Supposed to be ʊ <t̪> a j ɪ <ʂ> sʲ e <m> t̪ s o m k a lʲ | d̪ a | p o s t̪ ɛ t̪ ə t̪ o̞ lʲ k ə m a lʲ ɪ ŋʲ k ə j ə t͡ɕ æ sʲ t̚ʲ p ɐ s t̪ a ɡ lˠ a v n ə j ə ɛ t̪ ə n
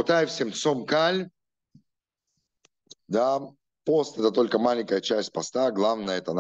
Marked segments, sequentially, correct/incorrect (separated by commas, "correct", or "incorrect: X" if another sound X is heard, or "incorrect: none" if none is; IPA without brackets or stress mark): correct, incorrect: f, correct